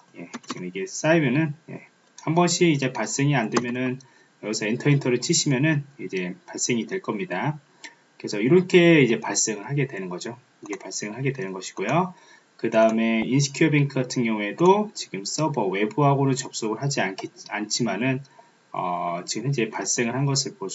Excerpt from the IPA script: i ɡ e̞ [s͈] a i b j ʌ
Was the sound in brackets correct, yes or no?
yes